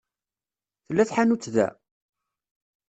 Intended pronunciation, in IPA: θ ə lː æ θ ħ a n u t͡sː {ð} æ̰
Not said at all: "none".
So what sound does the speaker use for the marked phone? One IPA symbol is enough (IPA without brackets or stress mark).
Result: ð